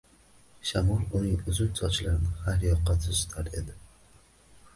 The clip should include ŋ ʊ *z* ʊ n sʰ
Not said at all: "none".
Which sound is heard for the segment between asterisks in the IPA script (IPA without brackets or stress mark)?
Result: z